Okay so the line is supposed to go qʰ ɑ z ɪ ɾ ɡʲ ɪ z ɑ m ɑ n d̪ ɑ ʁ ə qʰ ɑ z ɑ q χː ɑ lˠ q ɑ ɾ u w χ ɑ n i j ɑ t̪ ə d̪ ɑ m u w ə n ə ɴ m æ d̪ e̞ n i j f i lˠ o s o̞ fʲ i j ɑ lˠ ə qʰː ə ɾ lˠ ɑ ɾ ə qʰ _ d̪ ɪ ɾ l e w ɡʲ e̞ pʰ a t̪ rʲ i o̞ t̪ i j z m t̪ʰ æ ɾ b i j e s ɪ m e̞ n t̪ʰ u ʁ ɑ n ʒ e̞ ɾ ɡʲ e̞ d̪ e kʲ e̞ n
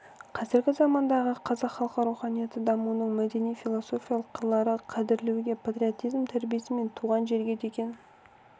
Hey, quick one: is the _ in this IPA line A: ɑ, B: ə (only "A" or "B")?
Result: A